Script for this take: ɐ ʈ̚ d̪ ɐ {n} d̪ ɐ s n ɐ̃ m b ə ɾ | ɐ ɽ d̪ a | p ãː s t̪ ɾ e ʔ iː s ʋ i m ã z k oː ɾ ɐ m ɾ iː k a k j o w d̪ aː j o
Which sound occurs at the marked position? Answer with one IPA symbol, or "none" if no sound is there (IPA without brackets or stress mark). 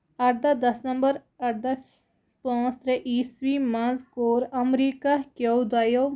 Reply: none